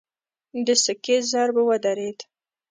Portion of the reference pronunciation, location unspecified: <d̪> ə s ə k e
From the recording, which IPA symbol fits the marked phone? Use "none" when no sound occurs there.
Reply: d̪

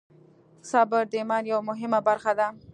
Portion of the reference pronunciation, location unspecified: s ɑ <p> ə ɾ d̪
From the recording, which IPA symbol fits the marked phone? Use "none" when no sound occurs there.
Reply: b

